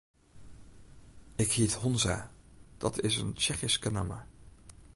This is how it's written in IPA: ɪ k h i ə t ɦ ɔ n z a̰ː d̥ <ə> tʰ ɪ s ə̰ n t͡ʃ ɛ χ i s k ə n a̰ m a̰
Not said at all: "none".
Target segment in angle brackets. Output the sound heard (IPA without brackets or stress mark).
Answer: ɑ